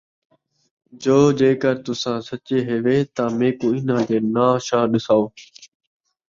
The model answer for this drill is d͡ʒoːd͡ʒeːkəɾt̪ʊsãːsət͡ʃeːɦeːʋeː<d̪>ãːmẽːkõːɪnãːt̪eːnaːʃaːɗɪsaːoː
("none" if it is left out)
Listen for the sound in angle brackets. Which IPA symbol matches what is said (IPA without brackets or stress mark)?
t̪